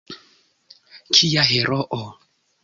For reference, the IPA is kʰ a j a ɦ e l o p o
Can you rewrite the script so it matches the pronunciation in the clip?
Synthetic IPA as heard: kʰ i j a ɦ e ɾ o ʔ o